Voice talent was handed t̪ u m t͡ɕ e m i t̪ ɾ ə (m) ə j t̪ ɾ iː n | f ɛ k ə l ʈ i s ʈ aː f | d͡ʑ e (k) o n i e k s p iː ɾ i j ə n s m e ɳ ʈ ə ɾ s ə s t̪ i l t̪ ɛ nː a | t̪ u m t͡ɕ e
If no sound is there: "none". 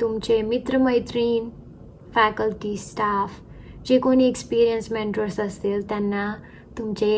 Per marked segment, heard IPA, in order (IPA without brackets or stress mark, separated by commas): m, k